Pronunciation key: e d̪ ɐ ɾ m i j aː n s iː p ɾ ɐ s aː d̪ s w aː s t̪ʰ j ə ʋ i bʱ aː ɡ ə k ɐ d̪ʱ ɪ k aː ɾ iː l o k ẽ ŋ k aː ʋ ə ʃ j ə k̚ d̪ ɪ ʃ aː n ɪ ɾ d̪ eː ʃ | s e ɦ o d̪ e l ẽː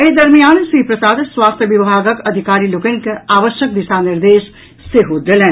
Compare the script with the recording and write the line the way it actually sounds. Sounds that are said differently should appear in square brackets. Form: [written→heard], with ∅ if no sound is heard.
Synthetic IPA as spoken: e d̪ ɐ ɾ m i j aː n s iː p ɾ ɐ s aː d̪ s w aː s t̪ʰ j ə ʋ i bʱ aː ɡ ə k ɐ d̪ʱ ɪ k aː ɾ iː l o k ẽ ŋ k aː ʋ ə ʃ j ə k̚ d̪ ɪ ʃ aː n ɪ ɾ d̪ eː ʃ | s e ɦ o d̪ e l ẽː